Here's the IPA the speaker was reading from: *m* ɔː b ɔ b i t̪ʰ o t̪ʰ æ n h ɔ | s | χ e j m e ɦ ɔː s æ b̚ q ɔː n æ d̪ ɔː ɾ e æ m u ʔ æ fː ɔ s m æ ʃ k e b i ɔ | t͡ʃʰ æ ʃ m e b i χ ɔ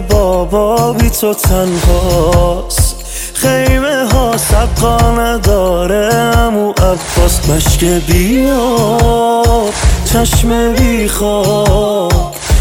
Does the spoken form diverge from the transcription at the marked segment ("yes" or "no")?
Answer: yes